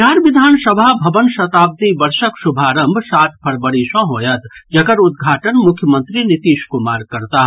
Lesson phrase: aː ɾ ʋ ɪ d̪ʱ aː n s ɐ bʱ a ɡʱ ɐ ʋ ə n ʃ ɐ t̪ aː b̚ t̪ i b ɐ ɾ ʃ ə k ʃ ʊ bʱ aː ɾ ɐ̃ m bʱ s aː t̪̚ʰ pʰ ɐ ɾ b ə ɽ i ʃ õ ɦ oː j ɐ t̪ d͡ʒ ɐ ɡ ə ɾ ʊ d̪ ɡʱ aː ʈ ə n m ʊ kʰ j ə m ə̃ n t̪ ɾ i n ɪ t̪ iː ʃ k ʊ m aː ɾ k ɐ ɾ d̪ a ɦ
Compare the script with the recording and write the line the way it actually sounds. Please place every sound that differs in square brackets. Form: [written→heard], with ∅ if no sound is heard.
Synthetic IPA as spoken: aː ɾ ʋ ɪ d̪ʱ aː n s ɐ bʱ a [ɡʱ→bʱ] ɐ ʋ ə n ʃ ɐ t̪ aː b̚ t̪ i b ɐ ɾ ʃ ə k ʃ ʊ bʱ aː ɾ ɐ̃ m bʱ s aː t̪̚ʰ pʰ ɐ ɾ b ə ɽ i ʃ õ ɦ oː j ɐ t̪ d͡ʒ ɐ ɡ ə ɾ ʊ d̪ ɡʱ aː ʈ ə n m ʊ kʰ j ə m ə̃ n t̪ ɾ i n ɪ t̪ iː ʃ k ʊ m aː ɾ k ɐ ɾ [d̪→t̪] a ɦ